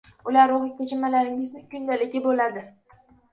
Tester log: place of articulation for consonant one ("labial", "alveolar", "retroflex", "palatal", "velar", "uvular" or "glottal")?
alveolar